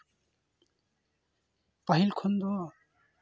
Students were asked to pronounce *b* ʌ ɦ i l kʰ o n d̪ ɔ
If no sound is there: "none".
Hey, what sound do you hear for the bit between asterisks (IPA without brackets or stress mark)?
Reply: p